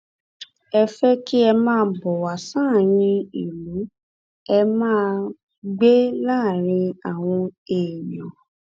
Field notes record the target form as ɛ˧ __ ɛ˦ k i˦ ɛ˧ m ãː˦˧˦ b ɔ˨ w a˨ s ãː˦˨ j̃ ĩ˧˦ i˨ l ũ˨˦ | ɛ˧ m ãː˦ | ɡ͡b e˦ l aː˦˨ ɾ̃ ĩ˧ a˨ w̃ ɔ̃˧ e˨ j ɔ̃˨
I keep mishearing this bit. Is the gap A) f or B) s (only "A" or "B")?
A